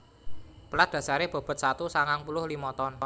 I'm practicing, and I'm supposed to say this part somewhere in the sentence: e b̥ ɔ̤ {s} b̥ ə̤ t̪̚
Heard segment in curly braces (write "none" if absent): none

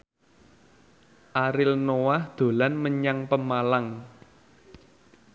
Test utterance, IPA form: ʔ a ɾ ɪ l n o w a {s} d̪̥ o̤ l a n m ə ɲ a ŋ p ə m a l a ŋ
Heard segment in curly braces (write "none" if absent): h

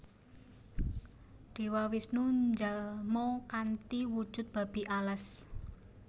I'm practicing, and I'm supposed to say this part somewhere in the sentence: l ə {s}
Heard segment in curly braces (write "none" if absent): s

